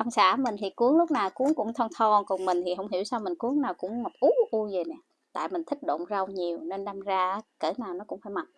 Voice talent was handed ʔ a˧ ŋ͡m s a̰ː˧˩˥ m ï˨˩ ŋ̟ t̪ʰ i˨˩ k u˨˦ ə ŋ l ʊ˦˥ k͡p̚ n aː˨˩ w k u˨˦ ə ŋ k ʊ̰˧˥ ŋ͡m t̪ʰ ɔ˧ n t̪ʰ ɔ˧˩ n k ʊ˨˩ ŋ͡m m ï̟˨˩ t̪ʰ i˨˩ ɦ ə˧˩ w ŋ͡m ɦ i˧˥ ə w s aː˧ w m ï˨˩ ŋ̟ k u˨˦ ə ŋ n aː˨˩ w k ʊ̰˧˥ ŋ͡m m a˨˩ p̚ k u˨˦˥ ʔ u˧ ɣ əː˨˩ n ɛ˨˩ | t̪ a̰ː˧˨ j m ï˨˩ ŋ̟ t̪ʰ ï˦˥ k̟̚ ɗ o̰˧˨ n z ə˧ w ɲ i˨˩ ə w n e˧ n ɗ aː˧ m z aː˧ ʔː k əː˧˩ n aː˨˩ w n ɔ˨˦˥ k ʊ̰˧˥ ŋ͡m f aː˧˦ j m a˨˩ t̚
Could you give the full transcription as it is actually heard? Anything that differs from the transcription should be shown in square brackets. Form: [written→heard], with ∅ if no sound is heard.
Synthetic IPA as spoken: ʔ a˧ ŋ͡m s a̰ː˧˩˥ m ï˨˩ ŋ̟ t̪ʰ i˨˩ k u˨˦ ə ŋ l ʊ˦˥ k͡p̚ n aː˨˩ w k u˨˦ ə ŋ k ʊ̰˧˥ ŋ͡m t̪ʰ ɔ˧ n t̪ʰ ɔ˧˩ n k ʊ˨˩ ŋ͡m m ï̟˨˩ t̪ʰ i˨˩ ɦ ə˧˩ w ŋ͡m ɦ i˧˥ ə w s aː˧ w m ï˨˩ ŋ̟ k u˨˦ ə ŋ n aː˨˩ w k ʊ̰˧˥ ŋ͡m m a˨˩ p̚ [k→ʔ] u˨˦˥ ʔ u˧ [ɣ→z] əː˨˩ n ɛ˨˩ | t̪ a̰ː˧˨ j m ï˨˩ ŋ̟ t̪ʰ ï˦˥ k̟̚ ɗ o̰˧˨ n z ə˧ w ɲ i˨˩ ə w n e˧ n ɗ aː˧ m z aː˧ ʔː k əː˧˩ n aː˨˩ w n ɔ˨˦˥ k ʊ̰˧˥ ŋ͡m f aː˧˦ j m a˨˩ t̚